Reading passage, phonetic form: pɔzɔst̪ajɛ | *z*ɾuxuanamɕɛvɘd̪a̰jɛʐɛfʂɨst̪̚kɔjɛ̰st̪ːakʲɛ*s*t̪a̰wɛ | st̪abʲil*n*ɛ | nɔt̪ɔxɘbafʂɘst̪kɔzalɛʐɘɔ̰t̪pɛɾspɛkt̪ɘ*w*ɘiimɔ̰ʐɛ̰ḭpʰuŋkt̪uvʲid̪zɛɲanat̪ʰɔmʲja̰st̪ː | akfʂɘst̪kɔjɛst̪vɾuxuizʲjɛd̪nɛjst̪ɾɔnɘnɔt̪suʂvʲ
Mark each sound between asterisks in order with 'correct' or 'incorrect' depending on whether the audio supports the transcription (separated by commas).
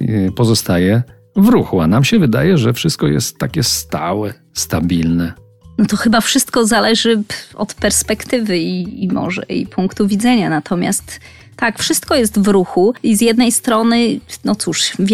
incorrect, correct, correct, incorrect